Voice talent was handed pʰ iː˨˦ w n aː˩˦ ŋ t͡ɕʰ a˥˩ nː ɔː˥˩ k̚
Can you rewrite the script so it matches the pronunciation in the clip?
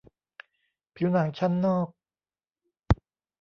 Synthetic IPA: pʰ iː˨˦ w n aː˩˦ ŋ t͡ɕʰ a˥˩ nː ɔː˥˩ k̚

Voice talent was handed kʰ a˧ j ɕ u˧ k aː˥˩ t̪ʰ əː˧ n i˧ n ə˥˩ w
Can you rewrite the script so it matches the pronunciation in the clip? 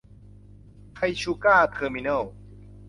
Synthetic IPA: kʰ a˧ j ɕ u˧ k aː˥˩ t̪ʰ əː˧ m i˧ n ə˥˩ w

